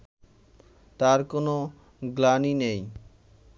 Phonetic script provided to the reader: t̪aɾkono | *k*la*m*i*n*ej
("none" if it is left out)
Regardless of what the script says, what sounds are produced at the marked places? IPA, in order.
ɡ, n, n

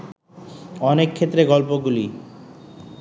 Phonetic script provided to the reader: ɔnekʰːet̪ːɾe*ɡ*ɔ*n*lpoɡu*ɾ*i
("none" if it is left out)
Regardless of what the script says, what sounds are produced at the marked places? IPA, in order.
ɡ, none, l

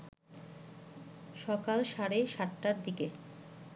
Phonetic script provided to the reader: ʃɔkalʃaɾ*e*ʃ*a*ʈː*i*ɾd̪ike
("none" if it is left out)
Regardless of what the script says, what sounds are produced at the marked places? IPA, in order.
e, a, a

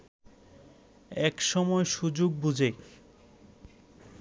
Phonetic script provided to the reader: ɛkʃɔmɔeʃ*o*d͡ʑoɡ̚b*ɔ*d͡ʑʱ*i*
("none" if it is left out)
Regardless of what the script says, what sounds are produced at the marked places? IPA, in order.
u, u, e

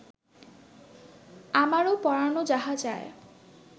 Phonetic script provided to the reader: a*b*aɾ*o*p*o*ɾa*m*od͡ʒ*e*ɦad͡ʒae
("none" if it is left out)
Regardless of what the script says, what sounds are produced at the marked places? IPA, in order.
m, o, ɔ, n, a

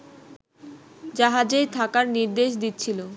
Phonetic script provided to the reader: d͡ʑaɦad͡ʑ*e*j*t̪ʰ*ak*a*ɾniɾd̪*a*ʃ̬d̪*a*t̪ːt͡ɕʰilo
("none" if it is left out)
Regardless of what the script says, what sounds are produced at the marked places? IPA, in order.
e, t̪ʰ, a, e, i

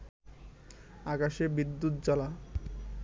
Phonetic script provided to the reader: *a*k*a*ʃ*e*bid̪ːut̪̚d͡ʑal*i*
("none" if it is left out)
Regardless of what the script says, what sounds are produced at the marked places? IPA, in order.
a, a, e, a

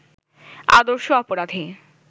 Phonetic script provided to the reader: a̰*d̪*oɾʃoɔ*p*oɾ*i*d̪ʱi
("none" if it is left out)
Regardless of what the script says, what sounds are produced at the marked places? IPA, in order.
d̪, p, a

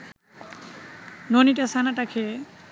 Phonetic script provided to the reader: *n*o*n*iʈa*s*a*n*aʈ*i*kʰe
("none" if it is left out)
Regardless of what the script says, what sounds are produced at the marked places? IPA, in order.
n, n, s, n, a

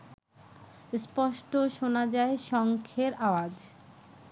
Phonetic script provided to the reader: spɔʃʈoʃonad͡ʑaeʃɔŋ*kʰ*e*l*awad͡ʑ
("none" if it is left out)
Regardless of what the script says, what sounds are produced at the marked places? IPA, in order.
kʰ, ɾ

